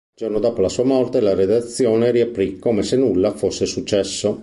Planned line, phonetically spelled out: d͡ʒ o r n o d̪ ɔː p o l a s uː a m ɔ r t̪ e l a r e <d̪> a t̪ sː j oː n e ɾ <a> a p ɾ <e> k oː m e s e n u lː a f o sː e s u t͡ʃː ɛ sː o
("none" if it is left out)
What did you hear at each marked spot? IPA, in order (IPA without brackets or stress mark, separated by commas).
d̪, i, i